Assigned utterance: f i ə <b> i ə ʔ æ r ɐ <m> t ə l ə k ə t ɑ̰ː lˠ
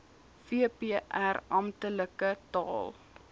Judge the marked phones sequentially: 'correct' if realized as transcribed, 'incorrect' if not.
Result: incorrect: p, correct

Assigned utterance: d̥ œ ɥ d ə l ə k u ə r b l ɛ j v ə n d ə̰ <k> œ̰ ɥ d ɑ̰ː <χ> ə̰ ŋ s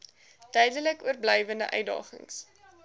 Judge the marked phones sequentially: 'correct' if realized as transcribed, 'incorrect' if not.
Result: incorrect: ʔ, correct

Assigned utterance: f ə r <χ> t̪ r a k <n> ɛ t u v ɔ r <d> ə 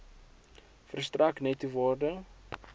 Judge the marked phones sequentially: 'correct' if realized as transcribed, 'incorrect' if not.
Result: incorrect: s, correct, correct

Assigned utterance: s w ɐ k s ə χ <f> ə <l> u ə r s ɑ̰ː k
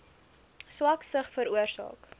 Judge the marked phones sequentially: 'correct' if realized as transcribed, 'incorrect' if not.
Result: correct, incorrect: ɾ

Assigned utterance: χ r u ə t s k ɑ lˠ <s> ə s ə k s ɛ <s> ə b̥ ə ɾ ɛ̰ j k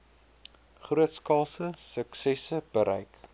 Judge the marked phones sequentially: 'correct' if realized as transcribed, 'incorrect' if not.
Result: correct, correct

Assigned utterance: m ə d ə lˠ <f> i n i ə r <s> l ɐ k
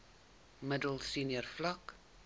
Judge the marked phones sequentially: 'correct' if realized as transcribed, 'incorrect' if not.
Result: incorrect: s, incorrect: f

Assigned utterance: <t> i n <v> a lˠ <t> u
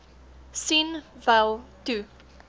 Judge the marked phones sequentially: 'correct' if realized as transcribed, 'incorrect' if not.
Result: incorrect: s, correct, correct

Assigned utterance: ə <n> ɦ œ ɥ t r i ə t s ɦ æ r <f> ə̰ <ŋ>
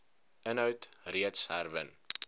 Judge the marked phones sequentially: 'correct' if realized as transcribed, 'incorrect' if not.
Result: correct, incorrect: v, incorrect: n

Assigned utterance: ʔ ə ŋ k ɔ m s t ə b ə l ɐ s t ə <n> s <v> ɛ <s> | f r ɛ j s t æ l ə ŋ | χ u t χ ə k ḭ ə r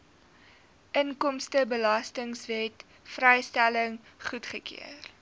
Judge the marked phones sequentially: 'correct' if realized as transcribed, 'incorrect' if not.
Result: incorrect: ŋ, correct, incorrect: t

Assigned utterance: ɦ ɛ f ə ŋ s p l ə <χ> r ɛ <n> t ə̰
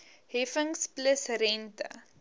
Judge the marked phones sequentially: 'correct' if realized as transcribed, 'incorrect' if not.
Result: incorrect: s, correct

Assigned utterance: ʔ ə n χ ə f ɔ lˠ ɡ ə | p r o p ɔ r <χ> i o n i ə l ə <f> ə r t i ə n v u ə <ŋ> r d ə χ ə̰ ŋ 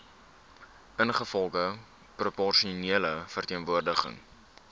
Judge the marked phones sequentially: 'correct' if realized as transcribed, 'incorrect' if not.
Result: incorrect: ʃ, correct, incorrect: none

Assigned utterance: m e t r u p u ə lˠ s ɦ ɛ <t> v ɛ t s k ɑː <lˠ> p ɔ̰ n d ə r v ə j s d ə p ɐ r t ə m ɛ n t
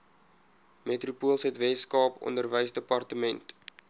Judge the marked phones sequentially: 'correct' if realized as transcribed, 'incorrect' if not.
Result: correct, incorrect: none

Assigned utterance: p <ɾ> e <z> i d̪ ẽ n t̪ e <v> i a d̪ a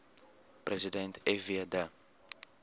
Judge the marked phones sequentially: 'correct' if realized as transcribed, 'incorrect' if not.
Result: correct, correct, correct

